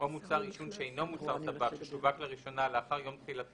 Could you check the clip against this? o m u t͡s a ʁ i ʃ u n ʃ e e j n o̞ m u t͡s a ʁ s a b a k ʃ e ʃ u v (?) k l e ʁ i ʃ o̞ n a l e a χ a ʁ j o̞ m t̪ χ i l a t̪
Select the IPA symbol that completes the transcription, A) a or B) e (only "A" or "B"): A